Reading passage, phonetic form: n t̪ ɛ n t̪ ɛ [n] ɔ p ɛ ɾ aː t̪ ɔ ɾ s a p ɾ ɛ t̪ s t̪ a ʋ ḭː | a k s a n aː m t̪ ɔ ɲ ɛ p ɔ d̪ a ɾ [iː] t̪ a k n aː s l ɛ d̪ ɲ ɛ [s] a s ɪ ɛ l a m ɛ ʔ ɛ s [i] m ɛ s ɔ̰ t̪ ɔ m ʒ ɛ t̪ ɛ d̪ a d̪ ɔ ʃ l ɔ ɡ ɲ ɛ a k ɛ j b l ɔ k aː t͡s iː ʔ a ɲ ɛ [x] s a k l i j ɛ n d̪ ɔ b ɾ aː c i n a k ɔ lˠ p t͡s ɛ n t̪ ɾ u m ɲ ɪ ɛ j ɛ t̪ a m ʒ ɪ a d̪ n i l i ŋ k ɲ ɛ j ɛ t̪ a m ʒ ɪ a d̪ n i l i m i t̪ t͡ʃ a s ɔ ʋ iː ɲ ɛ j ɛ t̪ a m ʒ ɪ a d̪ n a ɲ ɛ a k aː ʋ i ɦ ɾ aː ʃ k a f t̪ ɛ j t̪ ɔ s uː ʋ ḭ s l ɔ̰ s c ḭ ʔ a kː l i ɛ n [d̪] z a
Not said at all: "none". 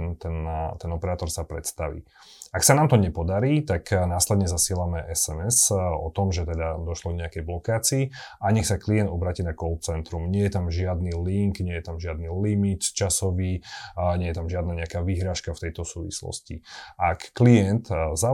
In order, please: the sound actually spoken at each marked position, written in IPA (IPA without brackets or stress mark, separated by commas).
n, iː, z, ɛ, x, t̪